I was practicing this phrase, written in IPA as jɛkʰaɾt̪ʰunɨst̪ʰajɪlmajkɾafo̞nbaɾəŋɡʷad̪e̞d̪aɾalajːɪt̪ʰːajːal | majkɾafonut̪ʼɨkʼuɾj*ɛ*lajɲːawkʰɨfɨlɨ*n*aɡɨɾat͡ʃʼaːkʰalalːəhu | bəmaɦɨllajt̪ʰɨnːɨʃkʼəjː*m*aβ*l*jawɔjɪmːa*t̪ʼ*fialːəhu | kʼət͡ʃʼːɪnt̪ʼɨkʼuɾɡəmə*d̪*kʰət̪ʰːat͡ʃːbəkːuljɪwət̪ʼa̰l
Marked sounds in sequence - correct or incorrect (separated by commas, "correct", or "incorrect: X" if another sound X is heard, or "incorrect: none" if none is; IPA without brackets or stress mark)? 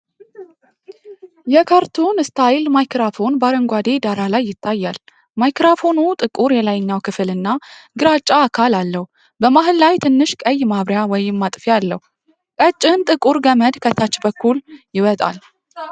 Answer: correct, incorrect: nː, correct, incorrect: ɾ, correct, correct